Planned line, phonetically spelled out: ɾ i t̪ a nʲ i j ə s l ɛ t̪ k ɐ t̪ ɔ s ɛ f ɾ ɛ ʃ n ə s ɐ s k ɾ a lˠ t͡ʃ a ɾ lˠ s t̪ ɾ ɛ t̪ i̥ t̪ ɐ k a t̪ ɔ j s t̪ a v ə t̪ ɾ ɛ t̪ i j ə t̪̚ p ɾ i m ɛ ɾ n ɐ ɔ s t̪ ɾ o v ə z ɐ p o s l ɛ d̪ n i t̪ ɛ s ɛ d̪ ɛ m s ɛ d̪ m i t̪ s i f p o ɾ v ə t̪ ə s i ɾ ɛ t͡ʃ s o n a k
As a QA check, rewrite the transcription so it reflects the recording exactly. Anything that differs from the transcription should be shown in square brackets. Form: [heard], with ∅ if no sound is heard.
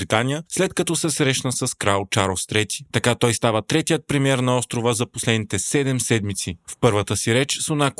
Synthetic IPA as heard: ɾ i t̪ a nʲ i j ə s l ɛ t̪ k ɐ t̪ ɔ s ɛ [s] ɾ ɛ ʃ n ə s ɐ s k ɾ a lˠ t͡ʃ a ɾ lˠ s t̪ ɾ ɛ t̪ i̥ t̪ ɐ k a t̪ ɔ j s t̪ a v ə t̪ ɾ ɛ t̪ i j ə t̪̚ p ɾ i m ɛ ɾ n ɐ ɔ s t̪ ɾ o v ə z ɐ p o s l ɛ d̪ n i t̪ ɛ s ɛ d̪ ɛ m s ɛ d̪ m i t̪ s i f p [ɤ] ɾ v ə t̪ ə s i ɾ ɛ t͡ʃ s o n a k